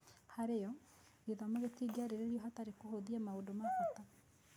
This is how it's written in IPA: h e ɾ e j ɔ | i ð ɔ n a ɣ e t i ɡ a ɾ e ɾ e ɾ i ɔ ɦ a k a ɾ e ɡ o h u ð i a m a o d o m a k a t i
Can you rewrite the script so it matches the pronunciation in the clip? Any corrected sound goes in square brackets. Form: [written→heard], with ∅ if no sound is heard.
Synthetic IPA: h [e→a] ɾ e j ɔ | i ð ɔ [n→m] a ɣ e t i ɡ a ɾ e ɾ e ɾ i ɔ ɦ a [k→t] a ɾ e [ɡ→k] o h [u→o] ð i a m a o d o m a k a t [i→a]